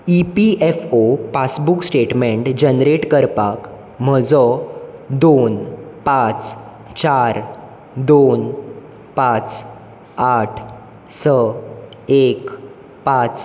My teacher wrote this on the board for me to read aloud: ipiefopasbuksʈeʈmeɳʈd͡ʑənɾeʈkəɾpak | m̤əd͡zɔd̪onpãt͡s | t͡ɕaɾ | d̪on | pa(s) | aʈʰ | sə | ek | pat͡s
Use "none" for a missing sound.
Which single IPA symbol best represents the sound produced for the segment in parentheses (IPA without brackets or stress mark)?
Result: t͡s